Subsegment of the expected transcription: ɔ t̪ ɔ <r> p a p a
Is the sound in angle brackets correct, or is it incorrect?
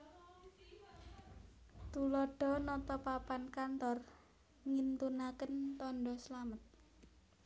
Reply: incorrect: none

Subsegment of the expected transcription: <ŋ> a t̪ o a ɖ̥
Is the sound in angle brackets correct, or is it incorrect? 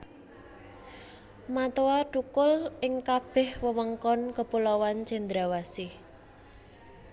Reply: incorrect: m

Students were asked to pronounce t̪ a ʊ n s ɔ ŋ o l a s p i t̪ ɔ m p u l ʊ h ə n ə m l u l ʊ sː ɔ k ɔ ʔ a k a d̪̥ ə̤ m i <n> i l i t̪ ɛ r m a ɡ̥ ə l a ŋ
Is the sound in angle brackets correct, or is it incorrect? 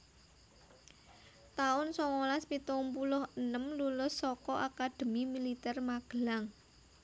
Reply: incorrect: m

